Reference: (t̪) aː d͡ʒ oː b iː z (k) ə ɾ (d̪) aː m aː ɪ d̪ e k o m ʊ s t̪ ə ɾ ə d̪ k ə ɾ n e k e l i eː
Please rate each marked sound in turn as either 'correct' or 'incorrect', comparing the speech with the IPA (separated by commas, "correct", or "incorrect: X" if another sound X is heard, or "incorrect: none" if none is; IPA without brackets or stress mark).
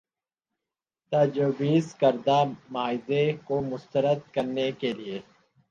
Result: correct, correct, correct